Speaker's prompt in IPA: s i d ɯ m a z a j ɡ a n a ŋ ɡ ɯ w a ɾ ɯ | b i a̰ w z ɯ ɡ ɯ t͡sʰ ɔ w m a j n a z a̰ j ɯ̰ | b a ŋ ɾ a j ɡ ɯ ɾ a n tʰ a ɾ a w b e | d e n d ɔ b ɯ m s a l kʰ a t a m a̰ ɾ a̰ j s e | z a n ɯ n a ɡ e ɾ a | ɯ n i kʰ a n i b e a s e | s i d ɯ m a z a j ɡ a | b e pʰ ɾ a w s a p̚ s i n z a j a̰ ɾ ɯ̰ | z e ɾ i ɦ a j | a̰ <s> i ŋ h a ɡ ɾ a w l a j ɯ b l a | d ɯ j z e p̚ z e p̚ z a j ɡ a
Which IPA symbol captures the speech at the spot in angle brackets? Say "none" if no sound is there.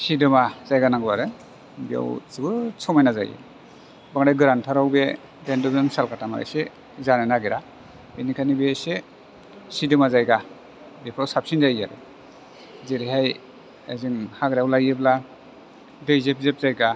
z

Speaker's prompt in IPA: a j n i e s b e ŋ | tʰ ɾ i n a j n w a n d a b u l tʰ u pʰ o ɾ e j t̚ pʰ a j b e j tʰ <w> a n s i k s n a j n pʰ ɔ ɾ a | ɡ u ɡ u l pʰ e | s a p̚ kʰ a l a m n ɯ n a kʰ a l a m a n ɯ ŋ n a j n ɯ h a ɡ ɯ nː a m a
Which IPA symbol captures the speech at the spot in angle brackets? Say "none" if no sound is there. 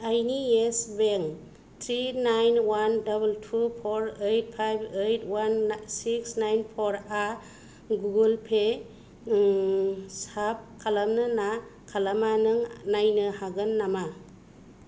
w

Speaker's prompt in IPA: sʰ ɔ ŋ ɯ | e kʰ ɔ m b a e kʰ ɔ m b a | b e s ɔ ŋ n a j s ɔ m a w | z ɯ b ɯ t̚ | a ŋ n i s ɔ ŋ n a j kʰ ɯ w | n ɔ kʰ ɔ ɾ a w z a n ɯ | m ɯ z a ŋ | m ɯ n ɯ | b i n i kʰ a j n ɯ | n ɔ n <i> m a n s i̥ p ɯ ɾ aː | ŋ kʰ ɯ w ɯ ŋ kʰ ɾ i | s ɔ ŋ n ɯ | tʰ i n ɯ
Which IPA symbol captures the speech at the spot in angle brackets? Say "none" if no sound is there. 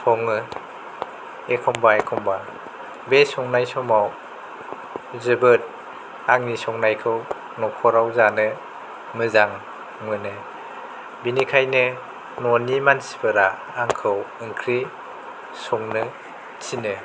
i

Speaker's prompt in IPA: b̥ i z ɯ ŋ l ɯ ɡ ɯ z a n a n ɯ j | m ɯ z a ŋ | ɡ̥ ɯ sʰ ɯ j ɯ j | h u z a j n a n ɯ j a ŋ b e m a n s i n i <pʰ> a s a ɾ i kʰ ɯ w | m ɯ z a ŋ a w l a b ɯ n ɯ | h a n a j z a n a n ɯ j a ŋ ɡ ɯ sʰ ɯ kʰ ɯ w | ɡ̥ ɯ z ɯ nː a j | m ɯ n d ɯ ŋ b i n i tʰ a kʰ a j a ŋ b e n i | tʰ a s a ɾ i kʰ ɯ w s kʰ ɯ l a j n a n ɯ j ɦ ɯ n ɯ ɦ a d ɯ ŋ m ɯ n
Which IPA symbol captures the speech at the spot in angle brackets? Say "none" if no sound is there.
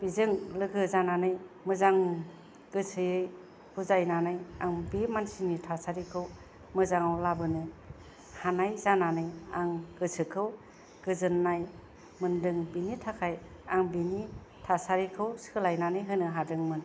tʰ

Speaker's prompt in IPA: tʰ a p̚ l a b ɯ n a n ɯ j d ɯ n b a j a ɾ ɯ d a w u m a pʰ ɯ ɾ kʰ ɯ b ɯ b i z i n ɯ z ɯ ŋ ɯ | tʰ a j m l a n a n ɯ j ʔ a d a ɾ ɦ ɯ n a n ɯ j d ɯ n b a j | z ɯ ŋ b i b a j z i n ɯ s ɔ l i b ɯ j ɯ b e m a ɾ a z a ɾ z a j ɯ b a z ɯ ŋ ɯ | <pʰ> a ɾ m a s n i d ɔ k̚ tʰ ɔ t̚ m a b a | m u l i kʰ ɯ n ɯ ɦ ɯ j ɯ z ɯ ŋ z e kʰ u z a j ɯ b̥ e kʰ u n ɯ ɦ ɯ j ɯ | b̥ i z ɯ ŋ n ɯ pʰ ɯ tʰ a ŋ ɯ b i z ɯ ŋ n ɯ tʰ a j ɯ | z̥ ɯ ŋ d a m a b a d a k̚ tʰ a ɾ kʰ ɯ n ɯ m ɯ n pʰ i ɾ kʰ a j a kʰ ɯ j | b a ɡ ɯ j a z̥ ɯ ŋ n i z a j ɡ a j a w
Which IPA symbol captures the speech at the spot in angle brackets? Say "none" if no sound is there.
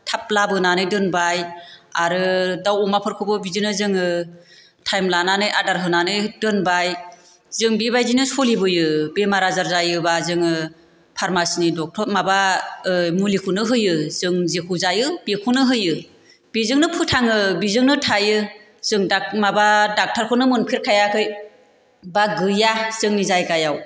pʰ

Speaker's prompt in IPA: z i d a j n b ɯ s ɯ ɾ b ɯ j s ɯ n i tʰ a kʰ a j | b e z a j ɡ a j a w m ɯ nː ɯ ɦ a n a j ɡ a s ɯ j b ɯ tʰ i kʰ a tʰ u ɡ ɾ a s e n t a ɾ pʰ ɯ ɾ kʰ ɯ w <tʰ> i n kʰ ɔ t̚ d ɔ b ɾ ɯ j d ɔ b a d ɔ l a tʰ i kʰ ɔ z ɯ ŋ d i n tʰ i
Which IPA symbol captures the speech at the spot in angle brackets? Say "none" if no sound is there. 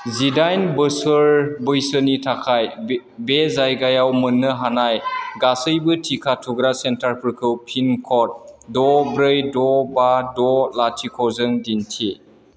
pʰ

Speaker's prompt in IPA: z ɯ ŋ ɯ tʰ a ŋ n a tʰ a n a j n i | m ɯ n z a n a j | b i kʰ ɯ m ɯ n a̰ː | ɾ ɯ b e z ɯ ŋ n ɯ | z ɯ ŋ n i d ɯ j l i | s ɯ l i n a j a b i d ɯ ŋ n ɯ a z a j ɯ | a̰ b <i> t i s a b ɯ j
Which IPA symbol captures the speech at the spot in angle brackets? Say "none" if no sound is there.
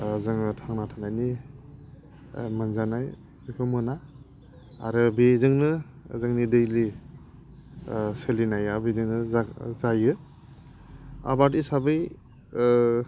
a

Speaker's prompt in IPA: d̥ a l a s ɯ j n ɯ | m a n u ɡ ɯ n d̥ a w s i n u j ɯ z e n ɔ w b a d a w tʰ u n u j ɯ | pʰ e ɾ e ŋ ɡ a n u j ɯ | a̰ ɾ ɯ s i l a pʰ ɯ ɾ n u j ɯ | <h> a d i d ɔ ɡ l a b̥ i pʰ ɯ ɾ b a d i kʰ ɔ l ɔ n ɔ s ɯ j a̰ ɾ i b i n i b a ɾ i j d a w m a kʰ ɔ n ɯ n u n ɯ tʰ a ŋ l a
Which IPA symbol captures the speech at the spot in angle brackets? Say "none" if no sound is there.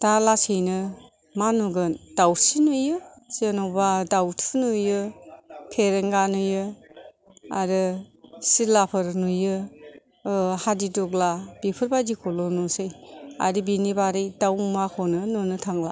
h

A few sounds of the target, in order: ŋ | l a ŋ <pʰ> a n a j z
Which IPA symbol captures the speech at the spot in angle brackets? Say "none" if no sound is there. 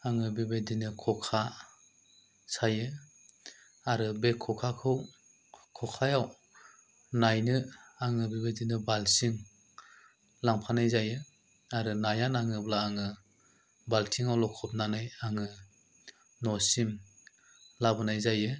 pʰ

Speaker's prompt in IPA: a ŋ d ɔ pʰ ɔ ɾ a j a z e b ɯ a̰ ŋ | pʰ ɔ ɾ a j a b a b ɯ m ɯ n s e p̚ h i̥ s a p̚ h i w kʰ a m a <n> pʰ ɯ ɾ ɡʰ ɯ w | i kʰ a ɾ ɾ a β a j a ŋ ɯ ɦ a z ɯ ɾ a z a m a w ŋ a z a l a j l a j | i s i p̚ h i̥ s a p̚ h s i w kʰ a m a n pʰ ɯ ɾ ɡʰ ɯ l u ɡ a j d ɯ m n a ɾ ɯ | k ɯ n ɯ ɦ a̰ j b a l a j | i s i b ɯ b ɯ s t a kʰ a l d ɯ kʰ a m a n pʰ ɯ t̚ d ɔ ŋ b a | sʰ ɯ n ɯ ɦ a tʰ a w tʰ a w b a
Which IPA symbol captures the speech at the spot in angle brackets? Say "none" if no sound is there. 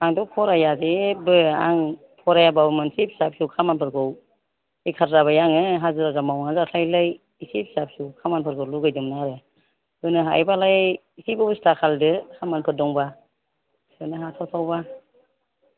n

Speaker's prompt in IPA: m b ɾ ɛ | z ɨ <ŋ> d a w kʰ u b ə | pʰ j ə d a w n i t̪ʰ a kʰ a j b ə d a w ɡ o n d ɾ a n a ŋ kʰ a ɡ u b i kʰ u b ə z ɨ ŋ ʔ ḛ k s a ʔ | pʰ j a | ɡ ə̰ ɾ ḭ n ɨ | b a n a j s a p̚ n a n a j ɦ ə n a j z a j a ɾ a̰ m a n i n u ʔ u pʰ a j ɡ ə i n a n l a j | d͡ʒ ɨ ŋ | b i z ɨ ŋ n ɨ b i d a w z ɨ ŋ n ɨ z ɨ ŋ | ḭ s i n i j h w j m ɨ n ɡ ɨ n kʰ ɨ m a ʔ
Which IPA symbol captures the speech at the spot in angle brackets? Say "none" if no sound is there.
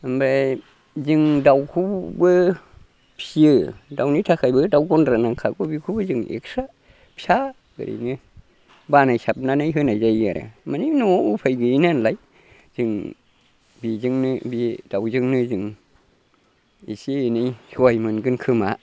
ŋ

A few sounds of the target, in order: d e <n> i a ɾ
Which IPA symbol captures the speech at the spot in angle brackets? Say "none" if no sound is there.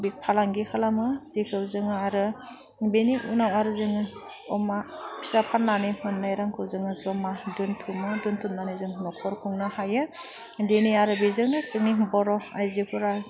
n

